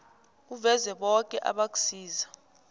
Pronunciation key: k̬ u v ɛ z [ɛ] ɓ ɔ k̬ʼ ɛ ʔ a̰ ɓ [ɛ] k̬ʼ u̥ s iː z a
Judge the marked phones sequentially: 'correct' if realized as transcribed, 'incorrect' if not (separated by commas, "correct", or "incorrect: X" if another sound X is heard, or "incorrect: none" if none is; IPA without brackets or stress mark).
correct, incorrect: a